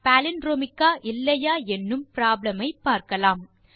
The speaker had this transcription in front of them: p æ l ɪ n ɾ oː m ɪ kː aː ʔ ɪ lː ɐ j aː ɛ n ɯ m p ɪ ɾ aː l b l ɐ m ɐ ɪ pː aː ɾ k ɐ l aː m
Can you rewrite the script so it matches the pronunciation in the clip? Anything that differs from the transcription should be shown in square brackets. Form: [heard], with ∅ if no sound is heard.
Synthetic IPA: p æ l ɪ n ɾ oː m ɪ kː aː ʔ ɪ lː ɐ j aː ɛ [nː] ɯ m p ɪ ɾ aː [∅] b l ɐ m ɐ ɪ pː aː ɾ k ɐ l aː m